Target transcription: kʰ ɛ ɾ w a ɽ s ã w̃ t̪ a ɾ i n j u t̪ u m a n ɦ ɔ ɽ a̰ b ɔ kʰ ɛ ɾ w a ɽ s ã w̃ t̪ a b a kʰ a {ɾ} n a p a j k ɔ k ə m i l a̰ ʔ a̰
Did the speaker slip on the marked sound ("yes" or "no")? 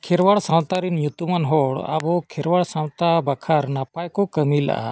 no